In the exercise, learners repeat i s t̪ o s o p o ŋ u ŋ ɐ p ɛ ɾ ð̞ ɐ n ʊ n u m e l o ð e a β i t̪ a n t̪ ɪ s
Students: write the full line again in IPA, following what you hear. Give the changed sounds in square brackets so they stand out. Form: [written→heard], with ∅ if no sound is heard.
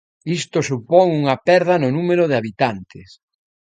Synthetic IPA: i s t̪ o s [o→u] p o ŋ u ŋ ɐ p ɛ ɾ ð̞ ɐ n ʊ n u m e [l→ɾ] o ð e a β i t̪ a n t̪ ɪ s